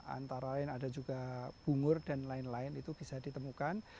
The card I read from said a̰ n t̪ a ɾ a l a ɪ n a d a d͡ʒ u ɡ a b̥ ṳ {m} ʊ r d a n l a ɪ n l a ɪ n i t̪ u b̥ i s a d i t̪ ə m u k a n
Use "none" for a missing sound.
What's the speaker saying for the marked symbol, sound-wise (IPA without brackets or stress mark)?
ŋ